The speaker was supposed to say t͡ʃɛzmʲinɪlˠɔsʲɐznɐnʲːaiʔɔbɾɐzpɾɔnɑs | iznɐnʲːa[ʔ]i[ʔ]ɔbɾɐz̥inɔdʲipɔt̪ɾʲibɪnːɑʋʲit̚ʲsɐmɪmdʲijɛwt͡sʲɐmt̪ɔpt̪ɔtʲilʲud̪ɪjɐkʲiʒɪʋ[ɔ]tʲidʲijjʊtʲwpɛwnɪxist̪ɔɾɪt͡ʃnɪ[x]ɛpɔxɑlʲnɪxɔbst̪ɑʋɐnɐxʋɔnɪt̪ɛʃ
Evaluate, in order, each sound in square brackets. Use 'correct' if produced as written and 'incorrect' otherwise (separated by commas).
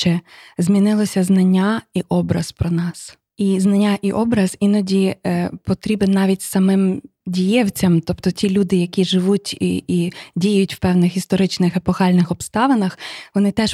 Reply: correct, correct, incorrect, correct